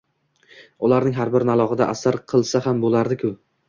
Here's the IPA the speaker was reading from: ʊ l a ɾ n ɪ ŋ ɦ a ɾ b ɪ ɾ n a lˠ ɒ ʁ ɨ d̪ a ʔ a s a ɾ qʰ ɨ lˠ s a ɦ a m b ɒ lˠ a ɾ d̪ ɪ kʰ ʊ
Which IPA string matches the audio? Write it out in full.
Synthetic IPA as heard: ʊ l a ɾ n ɪ ŋ ɦ a ɾ b ɪ ɾ n a lˠ ɒ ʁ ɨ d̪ a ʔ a s a ɾ qʰ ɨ lˠ s a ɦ a m b o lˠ a ɾ d̪ ɪ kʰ ʊ